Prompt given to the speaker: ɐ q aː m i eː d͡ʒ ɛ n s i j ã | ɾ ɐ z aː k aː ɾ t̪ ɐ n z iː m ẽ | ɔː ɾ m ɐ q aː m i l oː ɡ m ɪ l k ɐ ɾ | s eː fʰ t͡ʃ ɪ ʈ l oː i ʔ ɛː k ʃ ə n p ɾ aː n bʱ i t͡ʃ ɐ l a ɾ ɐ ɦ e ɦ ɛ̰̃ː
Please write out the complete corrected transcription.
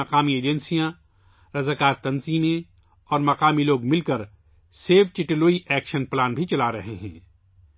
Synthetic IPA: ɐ q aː m i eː d͡ʒ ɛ n s i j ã | ɾ ɐ z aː k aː ɾ t̪ ɐ n z iː m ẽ | ɔː ɾ m ɐ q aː m i l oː ɡ m ɪ l k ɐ ɾ | s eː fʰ t͡ʃ ɪ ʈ l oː i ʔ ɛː k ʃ ə n p l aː n bʱ i t͡ʃ ɐ l a ɾ ɐ ɦ e ɦ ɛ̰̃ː